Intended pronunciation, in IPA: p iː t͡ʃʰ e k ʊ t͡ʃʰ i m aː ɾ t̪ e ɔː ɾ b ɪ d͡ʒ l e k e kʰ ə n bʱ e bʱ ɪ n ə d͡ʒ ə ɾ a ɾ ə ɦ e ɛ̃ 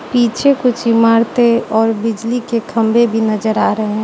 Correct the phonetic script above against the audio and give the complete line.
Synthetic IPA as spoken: p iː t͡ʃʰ e k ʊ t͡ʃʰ i m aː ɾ t̪ e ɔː ɾ b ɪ d͡ʒ l i k e kʰ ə m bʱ e bʱ i n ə d͡ʒ ə ɾ a ɾ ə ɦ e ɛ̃